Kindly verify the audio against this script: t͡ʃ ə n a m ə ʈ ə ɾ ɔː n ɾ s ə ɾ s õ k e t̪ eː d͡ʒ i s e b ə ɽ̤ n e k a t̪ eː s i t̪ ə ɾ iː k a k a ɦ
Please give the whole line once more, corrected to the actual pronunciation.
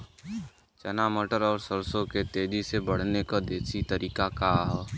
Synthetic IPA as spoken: t͡ʃ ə n a m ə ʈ ə ɾ ɔː ɾ s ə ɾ s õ k e t̪ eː d͡ʒ i s e b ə ɽ̤ n e k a d̪ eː s i t̪ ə ɾ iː k a k a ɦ